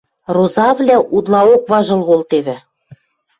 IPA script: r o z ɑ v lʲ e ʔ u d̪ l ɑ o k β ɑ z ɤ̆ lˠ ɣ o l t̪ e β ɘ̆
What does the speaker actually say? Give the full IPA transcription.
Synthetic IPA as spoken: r o z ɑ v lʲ æ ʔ u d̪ l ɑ o k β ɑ ʒ ɤ̆ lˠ ɣ o l t̪ e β ɘ̆